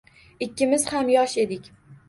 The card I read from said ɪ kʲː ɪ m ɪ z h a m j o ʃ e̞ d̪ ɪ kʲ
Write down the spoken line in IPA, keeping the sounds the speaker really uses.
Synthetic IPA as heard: ɪ kʲː ɪ m ɪ z h a m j ɒ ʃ e̞ d̪ ɪ kʲ